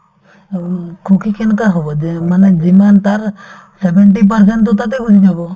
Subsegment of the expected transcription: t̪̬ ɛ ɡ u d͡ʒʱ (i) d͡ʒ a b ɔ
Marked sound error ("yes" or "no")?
no